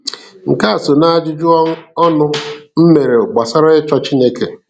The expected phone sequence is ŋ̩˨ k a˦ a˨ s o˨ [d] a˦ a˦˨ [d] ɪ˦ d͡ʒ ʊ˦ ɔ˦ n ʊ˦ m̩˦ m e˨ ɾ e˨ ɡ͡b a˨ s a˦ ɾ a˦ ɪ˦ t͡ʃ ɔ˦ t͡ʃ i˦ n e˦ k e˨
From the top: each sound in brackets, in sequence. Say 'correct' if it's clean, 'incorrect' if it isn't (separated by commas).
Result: incorrect, incorrect